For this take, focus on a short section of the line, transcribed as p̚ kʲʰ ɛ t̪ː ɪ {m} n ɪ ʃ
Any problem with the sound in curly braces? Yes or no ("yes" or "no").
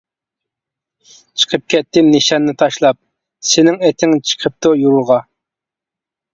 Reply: no